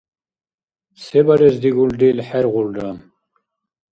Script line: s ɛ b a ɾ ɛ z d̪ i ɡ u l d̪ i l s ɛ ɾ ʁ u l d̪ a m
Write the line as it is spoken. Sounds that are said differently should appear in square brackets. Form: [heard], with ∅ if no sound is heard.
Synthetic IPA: s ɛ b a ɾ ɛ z d̪ i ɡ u l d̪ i l [ħ] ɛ ɾ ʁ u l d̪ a m